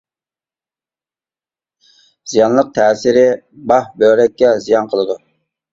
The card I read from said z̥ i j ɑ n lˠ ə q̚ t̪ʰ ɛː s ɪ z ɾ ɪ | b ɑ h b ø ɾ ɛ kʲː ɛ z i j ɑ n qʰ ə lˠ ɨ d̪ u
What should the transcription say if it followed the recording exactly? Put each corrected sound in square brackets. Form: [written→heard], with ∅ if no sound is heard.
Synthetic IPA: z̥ i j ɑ n lˠ ə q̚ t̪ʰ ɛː s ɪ [z→∅] ɾ ɪ | b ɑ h b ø ɾ ɛ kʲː ɛ z i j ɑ n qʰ ə lˠ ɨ d̪ u